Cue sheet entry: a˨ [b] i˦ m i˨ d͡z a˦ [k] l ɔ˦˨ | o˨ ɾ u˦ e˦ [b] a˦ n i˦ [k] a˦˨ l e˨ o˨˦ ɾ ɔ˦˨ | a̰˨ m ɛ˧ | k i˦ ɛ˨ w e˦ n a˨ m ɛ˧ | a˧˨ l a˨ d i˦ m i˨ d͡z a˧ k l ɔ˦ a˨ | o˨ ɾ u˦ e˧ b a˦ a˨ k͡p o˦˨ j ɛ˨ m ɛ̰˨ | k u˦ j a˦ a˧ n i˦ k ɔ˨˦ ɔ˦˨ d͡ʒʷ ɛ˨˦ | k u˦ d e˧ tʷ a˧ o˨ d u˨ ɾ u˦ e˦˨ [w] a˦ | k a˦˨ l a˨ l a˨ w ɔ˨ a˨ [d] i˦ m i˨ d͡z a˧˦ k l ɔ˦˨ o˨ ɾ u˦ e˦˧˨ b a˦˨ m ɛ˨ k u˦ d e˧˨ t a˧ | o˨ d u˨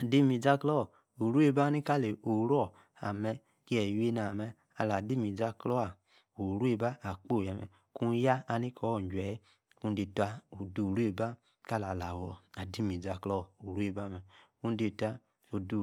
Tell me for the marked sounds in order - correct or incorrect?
incorrect, correct, correct, correct, incorrect, correct

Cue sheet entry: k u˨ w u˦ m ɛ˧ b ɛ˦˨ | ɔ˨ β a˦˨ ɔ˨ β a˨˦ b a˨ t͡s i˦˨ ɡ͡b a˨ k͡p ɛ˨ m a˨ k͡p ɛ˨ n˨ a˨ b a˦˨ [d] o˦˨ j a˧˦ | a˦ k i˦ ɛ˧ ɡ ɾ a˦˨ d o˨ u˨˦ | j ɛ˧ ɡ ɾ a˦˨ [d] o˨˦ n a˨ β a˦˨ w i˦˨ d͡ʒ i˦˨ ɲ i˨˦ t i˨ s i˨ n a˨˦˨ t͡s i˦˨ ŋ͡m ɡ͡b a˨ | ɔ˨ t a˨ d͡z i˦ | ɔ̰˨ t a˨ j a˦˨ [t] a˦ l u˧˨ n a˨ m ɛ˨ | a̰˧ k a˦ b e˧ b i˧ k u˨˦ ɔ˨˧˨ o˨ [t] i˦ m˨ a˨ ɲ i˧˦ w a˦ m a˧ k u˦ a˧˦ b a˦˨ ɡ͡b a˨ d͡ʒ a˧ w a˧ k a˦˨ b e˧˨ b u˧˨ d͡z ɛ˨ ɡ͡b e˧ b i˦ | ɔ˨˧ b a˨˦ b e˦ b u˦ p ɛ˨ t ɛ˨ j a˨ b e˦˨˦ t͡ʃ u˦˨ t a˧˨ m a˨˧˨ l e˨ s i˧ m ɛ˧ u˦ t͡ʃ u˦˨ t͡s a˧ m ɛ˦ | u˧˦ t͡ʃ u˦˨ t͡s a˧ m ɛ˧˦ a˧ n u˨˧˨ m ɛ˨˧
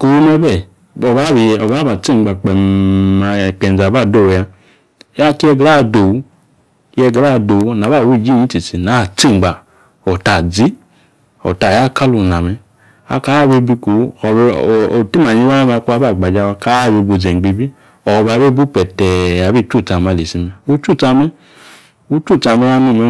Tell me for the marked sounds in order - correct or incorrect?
correct, correct, incorrect, correct

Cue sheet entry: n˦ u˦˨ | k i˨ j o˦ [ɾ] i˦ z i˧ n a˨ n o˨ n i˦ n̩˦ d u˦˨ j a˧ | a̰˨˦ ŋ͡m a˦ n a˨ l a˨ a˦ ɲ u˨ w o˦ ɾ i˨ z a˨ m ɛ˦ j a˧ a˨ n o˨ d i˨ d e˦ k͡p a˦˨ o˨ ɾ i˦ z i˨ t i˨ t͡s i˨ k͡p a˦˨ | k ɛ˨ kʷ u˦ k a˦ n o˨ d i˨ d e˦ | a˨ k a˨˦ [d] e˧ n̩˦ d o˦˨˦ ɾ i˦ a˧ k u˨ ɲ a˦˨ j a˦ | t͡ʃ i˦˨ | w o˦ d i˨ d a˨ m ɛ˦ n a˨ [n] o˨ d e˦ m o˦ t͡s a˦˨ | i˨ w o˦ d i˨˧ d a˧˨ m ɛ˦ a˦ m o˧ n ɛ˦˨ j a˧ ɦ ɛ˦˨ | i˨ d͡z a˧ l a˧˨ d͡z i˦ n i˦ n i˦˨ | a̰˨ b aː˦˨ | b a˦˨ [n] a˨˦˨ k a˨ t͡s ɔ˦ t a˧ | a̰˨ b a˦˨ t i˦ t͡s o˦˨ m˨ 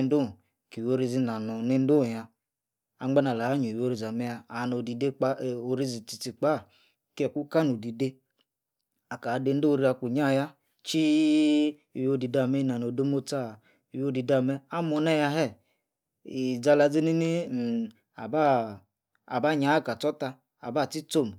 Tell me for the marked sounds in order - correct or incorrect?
correct, correct, correct, incorrect

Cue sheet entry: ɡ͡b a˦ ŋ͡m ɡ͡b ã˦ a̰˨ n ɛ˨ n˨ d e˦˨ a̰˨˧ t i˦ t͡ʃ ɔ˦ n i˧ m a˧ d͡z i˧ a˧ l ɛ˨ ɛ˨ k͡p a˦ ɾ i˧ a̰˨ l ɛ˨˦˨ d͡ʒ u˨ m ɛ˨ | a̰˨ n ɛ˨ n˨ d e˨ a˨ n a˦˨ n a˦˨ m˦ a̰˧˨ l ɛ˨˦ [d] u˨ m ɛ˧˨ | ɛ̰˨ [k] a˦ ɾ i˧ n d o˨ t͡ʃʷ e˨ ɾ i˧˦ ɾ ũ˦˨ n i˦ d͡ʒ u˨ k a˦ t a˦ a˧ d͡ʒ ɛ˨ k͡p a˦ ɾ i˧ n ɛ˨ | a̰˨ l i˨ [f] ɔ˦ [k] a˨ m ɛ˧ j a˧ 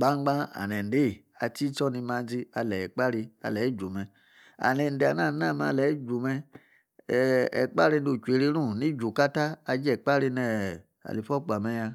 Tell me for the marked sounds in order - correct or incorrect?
incorrect, incorrect, correct, incorrect

